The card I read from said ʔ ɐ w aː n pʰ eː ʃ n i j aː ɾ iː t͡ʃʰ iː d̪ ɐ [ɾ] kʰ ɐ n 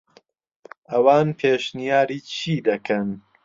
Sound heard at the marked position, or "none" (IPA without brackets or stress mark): none